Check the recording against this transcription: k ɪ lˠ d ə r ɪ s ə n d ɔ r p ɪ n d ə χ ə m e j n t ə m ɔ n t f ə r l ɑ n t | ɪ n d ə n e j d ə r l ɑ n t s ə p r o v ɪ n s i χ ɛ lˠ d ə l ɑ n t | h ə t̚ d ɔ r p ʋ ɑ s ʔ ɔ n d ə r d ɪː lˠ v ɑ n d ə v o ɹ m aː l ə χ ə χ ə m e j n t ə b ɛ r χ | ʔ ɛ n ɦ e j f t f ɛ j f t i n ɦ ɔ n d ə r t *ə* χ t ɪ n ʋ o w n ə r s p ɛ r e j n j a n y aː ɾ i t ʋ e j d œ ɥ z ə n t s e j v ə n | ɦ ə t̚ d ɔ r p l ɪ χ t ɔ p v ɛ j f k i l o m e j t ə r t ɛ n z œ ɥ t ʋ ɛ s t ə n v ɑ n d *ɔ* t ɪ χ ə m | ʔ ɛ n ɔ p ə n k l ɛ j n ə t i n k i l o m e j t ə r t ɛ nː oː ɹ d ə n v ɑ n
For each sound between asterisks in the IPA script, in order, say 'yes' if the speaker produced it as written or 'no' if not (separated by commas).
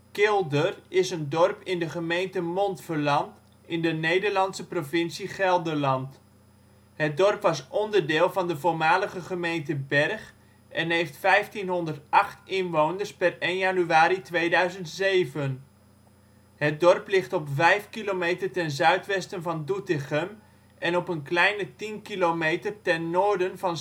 no, no